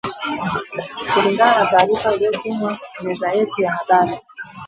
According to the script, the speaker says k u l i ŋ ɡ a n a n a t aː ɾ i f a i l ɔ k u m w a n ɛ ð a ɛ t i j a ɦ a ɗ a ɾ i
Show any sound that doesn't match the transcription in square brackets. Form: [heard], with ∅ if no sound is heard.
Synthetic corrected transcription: k u l i ŋ ɡ a n a n a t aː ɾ i f a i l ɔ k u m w a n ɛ [z] a ɛ t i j a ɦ a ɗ a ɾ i

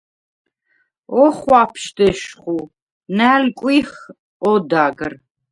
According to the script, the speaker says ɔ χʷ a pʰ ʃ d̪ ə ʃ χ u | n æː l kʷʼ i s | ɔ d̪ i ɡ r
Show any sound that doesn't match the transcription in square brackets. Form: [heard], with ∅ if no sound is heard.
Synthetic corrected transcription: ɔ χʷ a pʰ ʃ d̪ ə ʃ χ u | n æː l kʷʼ i [χ] | ɔ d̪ [a] ɡ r

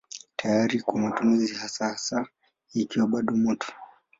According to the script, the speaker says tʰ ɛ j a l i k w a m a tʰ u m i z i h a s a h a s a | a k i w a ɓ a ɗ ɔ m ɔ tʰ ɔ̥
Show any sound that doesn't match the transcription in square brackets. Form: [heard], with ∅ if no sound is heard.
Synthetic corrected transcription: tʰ [a] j a [ɾ] i k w a m a [t] u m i z i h a s a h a s a | [i] k i w a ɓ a ɗ ɔ m ɔ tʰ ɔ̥

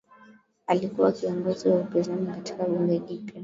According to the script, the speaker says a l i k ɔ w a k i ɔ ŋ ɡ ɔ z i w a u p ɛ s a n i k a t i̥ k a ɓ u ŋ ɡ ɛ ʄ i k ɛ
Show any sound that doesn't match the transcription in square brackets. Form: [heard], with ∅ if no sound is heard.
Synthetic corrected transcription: a l i k [u] w a k i ɔ ŋ ɡ ɔ z i w a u p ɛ [z] a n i k a t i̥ k a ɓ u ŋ ɡ ɛ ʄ i [p] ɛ

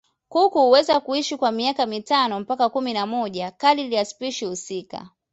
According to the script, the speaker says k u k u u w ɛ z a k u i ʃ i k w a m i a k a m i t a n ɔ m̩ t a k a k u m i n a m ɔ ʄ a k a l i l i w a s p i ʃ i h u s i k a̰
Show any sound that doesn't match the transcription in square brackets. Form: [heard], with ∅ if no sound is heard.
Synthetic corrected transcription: k u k u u w ɛ z a k u i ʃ i k w a m i a k a m i t a n ɔ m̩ [p] a k a k u m i n a m ɔ ʄ a k a l i l i [∅] a s p i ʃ i h u s i k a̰

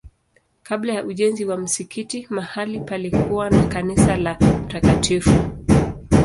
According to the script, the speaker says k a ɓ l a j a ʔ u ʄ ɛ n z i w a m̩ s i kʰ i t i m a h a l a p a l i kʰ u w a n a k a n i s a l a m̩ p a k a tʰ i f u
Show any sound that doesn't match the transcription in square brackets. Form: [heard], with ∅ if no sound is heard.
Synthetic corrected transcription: k a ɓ l a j a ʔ u ʄ ɛ n z i w a m̩ s i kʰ i t i m a h a l [i] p a l i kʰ u w a n a k a n i s a l a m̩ [t] a k a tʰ i f u

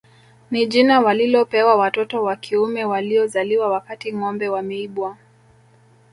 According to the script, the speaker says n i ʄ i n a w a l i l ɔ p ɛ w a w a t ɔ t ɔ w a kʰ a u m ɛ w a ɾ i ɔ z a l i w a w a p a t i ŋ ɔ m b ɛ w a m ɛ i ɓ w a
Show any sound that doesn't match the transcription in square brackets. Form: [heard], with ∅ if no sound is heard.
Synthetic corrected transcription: n i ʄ i n a w a l i l ɔ p ɛ w a w a t ɔ t ɔ w a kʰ [i] u m ɛ w a [l] i ɔ z a l i w a w a [k] a t i ŋ ɔ m b ɛ w a m ɛ i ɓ w a

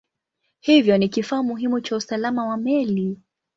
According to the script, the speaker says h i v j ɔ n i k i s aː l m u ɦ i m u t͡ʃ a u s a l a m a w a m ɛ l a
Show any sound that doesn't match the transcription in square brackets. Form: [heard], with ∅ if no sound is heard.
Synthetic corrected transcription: h i v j ɔ n i k i [f] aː [∅] m u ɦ i m u t͡ʃ a u s a l a m a w a m ɛ l [i]

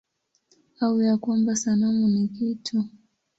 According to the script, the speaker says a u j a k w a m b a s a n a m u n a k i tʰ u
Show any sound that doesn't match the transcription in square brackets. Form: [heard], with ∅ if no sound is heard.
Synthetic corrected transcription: a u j a k w a m b a s a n a m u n [i] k i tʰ u

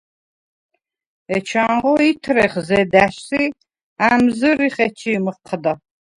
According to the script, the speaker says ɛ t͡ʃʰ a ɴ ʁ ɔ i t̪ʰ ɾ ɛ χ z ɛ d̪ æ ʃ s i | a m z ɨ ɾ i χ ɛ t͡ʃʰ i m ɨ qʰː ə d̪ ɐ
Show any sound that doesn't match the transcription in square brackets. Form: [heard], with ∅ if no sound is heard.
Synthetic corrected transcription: ɛ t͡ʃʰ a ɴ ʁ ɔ i t̪ʰ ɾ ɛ χ z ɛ d̪ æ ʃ s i | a m z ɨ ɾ i χ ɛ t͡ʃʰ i m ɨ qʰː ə d̪ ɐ

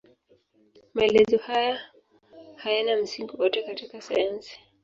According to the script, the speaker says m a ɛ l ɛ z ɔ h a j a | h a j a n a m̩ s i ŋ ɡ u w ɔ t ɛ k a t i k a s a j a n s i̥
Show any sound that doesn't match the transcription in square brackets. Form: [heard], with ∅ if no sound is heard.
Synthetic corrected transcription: m a ɛ l ɛ z ɔ h a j a | h a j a n a m̩ s i ŋ ɡ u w ɔ t ɛ k a t i k a s a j a n s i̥

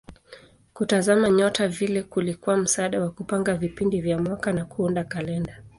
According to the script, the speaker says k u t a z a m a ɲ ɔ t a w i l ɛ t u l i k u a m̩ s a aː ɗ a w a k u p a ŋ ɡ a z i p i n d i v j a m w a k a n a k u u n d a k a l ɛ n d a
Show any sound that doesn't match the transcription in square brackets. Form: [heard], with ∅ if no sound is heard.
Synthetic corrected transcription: k u t a z a m a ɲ ɔ t a [v] i l ɛ [k] u l i k u a m̩ s a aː ɗ a w a k u p a ŋ ɡ a [v] i p i n d i v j a m w a k a n a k u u n d a k a l ɛ n d a

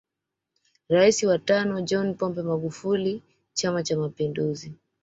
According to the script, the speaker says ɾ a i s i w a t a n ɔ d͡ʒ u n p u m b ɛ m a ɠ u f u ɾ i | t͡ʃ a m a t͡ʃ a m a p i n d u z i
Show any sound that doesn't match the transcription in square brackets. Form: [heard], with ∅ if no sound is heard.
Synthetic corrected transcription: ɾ a i s i w a t a n ɔ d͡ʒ [ɔ] n p [ɔ] m b ɛ m a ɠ u f u [l] i | t͡ʃ a m a t͡ʃ a m a p i n d u z i

